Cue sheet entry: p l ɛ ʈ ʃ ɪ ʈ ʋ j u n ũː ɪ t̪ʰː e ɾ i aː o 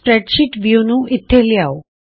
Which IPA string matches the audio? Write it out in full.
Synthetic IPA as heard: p ɾ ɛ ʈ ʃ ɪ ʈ ʋ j u n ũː ɪ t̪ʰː e l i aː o